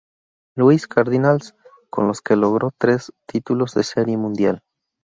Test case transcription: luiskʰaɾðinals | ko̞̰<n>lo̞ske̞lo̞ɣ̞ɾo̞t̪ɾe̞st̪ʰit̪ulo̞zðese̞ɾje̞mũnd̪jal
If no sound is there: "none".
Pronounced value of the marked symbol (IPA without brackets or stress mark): n